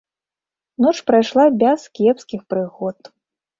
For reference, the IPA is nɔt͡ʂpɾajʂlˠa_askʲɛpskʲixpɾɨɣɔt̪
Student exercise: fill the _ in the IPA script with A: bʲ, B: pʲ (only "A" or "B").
A